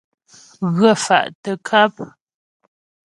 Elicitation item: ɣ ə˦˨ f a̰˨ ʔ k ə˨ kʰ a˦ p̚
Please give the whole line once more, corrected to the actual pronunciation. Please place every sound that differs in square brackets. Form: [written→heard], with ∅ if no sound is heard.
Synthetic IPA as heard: ɣ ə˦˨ f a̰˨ ʔ [k→t] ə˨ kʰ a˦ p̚